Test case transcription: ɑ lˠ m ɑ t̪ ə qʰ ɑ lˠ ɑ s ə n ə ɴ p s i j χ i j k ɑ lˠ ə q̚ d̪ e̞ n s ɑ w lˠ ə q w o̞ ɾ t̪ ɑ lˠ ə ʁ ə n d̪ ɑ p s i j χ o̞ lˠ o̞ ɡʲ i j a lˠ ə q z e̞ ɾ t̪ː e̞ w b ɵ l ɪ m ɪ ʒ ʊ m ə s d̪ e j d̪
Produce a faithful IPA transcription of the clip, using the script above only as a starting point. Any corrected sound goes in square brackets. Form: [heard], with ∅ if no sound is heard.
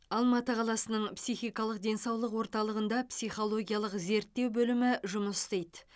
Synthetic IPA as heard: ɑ lˠ m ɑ t̪ ə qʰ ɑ lˠ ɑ s ə n ə ɴ p s i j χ i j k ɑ lˠ ə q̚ d̪ e̞ n s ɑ w lˠ ə q w o̞ ɾ t̪ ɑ lˠ ə ʁ ə n d̪ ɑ p s i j χ o̞ lˠ o̞ ɡʲ i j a lˠ ə q z e̞ ɾ t̪ː e̞ w b ɵ l ɪ m ɪ ʒ ʊ m ə s [t̪] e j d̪